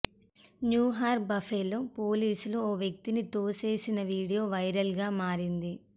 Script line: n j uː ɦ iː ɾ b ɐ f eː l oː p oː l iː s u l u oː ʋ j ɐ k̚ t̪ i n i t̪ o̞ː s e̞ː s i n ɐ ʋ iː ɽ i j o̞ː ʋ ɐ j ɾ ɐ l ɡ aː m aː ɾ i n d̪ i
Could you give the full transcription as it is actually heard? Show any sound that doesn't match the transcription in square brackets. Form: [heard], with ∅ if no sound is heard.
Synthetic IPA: n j uː ɦ [aː] ɾ b ɐ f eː l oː p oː l iː s u l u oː ʋ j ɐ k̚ t̪ i n i t̪ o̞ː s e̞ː s i n ɐ ʋ iː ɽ i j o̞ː ʋ ɐ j ɾ ɐ l ɡ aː m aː ɾ i n d̪ i

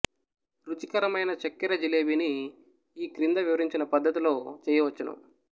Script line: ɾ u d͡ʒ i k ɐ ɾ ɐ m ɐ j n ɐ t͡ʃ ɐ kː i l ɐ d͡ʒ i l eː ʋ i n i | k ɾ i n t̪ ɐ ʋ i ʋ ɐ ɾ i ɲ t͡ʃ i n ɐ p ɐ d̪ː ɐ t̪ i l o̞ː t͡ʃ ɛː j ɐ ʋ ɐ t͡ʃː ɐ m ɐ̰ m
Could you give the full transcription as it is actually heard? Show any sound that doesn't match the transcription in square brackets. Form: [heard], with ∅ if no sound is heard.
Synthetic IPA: ɾ u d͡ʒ i k ɐ ɾ ɐ m ɐ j n ɐ t͡ʃ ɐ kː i [ɾ] ɐ d͡ʒ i l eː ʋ i n [iː] | k ɾ i n [d̪] ɐ ʋ i ʋ ɐ ɾ i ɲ t͡ʃ i n ɐ p ɐ d̪ː ɐ t̪ i l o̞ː t͡ʃ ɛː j ɐ ʋ ɐ t͡ʃː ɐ [n] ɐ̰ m

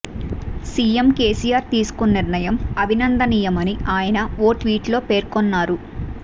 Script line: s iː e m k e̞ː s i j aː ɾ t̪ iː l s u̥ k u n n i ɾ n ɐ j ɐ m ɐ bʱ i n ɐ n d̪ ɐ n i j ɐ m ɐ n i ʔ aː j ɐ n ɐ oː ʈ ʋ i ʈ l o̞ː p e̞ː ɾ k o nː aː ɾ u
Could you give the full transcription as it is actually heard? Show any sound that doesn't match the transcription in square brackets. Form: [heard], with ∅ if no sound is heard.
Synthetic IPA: s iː e m k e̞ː s i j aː ɾ t̪ iː [∅] s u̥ k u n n i ɾ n ɐ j ɐ m ɐ bʱ i n ɐ n d̪ ɐ n i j ɐ m ɐ n i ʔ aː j ɐ n ɐ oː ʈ ʋ [iː] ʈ l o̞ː p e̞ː ɾ k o nː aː ɾ u

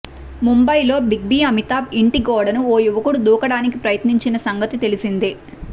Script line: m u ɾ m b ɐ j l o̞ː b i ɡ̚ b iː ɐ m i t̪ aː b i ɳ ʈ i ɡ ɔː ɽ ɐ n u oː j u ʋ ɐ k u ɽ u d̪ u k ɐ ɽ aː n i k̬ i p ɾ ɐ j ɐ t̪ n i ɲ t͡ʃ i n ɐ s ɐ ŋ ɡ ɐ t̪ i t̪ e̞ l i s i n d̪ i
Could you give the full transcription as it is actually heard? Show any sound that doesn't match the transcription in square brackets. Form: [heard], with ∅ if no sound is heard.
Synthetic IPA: m u [∅] m b ɐ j l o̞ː b i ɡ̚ b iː ɐ m i t̪ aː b i ɳ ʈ i ɡ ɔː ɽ ɐ n u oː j u ʋ ɐ k u ɽ u d̪ [uː] k ɐ ɽ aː n i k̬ i p ɾ ɐ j ɐ t̪ n i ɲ t͡ʃ i n ɐ s ɐ ŋ ɡ ɐ t̪ i t̪ e̞ l i s i n d̪ i

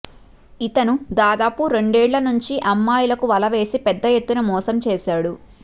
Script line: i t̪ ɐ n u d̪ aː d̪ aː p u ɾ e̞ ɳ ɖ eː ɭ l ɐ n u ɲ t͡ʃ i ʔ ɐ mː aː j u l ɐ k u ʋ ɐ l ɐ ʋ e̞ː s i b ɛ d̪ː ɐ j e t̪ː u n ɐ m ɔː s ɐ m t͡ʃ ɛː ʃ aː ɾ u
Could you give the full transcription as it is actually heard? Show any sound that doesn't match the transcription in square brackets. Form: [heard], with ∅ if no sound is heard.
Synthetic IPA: i t̪ ɐ n u d̪ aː d̪ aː p u ɾ e̞ ɳ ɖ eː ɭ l ɐ n u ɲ t͡ʃ i ʔ ɐ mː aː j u l ɐ k u ʋ ɐ l ɐ ʋ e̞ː s i [p] ɛ d̪ː ɐ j e t̪ː u n ɐ m ɔː s ɐ m t͡ʃ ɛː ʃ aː [ɽ] u

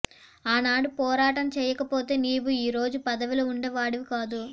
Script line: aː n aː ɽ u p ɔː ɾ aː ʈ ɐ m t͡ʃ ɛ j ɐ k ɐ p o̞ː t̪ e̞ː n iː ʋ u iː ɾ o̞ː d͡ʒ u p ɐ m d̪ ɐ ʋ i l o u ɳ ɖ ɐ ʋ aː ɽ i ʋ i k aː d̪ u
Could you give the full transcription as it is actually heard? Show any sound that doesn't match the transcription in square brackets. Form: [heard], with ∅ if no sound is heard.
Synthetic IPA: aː n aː ɽ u p ɔː ɾ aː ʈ ɐ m t͡ʃ [ɛː] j ɐ k ɐ p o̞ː t̪ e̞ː n iː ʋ u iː ɾ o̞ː d͡ʒ u p ɐ [∅] d̪ ɐ ʋ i l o u ɳ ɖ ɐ ʋ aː ɽ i ʋ i k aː d̪ u

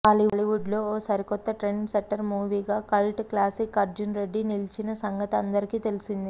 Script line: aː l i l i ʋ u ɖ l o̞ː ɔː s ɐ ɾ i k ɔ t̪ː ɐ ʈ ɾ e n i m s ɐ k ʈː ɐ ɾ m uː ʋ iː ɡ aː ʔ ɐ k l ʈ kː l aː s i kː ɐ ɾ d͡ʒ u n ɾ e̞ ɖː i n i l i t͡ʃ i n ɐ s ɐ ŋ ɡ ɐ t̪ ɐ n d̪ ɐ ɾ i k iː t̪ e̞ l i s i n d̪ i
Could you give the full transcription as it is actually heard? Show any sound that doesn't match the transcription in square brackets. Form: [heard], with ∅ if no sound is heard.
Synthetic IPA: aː l i l i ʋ u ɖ l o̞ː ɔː s ɐ ɾ i k ɔ t̪ː ɐ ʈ ɾ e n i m s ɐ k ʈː ɐ ɾ m uː ʋ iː ɡ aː [k] ɐ [∅] l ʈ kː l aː s i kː ɐ ɾ d͡ʒ u n ɾ e̞ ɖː i n i l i t͡ʃ i n ɐ s ɐ ŋ ɡ ɐ t̪ ɐ n d̪ ɐ ɾ i k iː t̪ e̞ l i s i n d̪ i

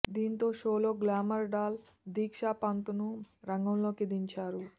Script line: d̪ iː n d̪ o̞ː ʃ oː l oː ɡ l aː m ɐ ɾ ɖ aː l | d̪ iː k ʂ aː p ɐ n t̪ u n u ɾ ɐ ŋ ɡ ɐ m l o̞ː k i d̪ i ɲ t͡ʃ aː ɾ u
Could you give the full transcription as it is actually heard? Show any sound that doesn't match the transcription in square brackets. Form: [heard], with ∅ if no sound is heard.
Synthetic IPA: d̪ iː n [t̪] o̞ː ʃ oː l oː ɡ l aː m ɐ ɾ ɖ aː l | d̪ iː k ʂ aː p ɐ n t̪ u n u ɾ ɐ ŋ ɡ ɐ m l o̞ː k i d̪ i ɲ t͡ʃ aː ɾ u

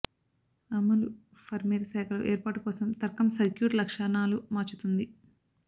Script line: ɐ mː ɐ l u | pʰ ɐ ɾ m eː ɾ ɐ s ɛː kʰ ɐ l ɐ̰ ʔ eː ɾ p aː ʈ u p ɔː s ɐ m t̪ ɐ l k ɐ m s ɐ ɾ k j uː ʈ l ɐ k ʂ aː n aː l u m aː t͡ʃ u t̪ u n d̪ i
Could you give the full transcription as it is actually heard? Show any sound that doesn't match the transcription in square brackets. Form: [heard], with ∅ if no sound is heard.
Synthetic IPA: ɐ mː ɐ l u | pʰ ɐ ɾ m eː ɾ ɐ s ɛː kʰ ɐ l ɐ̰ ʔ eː ɾ p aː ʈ u [k] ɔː s ɐ m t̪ ɐ [ɾ] k ɐ m s ɐ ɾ k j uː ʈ l ɐ k ʂ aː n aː l u m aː t͡ʃ u t̪ u n d̪ i

